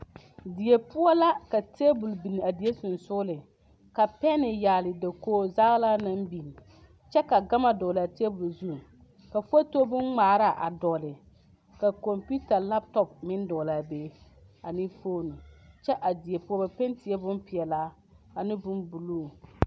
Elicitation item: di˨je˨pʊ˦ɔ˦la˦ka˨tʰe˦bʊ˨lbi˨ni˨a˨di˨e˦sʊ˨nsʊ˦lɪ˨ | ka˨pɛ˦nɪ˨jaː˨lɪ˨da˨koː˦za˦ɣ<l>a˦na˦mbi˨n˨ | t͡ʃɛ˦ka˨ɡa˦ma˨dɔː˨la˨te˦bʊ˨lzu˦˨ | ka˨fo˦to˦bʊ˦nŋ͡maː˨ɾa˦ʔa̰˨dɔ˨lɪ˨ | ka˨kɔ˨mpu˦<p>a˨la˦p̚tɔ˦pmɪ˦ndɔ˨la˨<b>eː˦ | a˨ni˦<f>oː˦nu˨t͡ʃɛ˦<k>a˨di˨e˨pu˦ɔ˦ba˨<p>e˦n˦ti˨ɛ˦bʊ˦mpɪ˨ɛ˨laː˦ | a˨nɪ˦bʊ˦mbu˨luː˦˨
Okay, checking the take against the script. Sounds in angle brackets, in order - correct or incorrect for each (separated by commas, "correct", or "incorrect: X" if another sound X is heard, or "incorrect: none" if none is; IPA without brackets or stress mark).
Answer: correct, incorrect: t, correct, correct, incorrect: ʔ, correct